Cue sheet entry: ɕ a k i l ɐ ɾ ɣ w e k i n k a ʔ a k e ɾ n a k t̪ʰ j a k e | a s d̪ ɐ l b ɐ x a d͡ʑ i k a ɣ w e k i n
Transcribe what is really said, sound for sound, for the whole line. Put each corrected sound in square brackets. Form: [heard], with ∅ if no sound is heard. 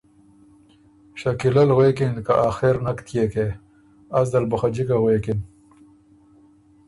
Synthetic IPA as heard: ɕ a k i l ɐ [l] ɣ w e k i n k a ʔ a [x] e ɾ n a k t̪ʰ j [e] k e | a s d̪ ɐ l b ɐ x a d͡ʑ i k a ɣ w e k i n